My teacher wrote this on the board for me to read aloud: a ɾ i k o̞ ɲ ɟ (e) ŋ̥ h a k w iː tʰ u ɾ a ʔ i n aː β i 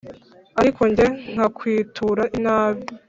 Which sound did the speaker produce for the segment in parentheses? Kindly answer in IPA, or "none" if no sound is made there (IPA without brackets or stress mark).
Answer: e